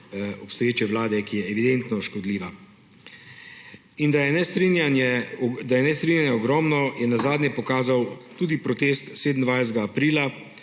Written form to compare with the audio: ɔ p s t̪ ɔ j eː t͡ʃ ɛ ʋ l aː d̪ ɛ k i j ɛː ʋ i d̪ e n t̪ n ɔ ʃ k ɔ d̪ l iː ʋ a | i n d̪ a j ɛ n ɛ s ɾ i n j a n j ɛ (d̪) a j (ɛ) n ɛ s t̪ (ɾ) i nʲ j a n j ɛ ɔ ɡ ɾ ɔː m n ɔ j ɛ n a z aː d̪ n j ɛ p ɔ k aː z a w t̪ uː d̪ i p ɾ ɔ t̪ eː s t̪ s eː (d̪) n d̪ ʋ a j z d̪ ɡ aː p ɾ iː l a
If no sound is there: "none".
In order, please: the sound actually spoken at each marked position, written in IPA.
d̪, ɛ, ɾ, d̪

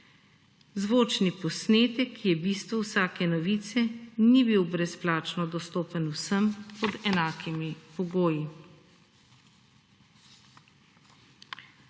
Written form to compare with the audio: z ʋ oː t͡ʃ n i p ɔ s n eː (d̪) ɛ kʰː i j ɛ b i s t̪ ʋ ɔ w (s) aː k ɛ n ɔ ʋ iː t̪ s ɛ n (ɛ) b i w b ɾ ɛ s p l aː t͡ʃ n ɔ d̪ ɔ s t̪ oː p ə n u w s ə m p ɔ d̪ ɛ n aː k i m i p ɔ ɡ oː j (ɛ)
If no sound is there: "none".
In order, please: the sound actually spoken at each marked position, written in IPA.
t̪, s, i, i

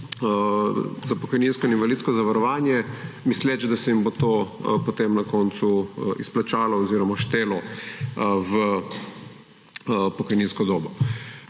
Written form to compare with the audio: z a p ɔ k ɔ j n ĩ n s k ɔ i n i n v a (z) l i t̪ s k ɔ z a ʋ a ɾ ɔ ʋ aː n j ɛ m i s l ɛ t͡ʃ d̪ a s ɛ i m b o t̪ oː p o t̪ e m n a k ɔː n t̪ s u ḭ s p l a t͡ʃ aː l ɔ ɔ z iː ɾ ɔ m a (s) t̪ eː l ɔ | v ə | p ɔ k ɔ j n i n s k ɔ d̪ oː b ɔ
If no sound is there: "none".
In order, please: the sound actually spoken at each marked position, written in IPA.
none, ʃ

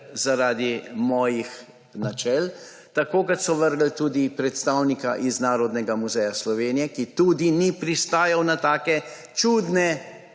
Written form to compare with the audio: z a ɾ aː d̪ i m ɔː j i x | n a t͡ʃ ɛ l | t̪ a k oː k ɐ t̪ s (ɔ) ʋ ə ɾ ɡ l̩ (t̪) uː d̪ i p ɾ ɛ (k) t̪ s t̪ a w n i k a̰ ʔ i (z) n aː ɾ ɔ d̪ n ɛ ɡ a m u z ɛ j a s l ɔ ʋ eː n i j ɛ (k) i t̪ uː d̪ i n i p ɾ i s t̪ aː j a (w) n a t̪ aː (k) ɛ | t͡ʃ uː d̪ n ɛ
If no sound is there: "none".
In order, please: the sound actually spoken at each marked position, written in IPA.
ɔ, t̪, none, z, k, w, k

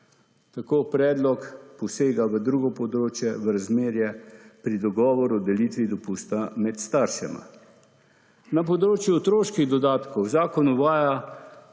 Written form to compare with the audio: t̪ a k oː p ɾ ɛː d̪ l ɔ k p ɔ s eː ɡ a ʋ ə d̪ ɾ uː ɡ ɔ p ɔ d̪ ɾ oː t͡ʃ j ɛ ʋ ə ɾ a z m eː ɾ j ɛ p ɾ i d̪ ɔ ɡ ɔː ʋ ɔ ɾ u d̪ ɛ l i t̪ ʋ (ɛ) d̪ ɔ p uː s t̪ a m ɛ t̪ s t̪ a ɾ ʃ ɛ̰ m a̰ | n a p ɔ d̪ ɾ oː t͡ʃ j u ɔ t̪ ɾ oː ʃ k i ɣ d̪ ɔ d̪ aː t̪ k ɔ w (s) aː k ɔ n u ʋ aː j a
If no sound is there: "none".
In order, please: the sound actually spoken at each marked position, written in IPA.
i, z

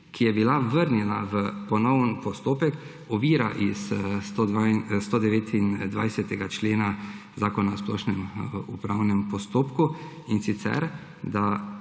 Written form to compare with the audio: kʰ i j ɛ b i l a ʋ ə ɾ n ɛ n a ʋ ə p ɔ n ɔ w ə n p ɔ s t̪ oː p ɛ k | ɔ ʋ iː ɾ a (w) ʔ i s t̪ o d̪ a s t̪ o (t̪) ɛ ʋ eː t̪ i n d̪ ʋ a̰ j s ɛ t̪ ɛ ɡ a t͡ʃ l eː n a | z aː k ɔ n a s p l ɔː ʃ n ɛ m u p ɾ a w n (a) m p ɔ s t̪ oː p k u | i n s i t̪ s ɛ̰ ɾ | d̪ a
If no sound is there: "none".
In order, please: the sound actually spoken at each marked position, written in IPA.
none, d̪, ɛ

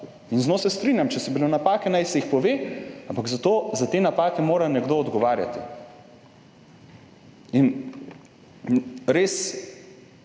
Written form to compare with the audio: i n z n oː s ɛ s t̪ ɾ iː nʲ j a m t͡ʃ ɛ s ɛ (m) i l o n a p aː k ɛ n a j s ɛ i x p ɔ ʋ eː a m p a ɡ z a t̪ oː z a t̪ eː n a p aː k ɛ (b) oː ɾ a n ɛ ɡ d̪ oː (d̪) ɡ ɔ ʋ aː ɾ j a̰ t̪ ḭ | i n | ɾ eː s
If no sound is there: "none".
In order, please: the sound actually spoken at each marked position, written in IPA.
b, m, d̪

